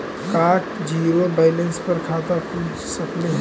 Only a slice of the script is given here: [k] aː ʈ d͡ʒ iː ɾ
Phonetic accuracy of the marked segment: correct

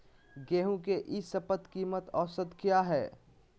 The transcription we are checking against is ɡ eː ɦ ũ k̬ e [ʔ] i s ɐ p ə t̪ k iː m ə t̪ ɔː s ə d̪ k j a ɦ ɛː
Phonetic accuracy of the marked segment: correct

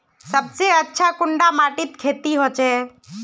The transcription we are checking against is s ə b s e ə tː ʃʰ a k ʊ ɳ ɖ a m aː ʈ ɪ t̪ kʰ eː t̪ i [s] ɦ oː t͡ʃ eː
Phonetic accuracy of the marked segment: incorrect: none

